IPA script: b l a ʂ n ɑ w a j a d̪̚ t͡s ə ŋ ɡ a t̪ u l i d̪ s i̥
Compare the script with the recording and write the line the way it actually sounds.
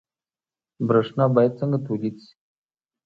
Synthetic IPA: b ɾ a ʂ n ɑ b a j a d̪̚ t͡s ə ŋ ɡ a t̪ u l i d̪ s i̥